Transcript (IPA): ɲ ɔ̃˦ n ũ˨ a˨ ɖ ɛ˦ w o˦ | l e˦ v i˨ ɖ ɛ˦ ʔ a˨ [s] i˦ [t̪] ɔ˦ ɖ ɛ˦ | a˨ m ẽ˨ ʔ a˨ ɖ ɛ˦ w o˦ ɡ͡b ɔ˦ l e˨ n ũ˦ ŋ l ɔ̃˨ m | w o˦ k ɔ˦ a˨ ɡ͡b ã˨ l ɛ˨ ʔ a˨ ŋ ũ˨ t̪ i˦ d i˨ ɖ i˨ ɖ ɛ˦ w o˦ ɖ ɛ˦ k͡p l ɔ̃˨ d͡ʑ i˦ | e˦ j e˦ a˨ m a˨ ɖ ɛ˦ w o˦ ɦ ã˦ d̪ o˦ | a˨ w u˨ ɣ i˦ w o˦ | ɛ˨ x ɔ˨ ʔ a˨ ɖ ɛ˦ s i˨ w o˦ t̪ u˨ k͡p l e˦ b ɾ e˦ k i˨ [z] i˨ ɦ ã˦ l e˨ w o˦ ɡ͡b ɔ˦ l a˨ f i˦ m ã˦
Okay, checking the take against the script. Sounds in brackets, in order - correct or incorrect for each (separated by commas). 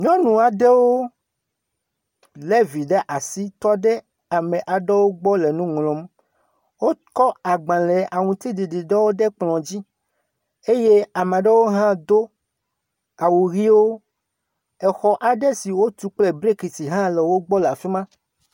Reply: correct, correct, incorrect